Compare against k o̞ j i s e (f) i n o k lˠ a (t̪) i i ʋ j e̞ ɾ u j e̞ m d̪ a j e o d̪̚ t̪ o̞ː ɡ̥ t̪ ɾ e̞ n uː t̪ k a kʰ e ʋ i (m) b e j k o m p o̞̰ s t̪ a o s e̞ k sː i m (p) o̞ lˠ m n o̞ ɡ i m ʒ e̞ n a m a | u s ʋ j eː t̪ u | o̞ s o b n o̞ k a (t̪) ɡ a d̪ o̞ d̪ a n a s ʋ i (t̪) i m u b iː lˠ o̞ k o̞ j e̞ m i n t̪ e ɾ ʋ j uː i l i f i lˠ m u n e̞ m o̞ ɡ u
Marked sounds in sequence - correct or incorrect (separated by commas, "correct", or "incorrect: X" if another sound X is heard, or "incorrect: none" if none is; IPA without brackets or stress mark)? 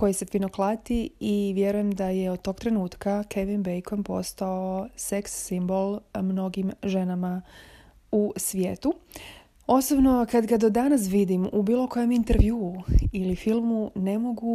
correct, correct, incorrect: n, incorrect: b, incorrect: d̪, incorrect: d̪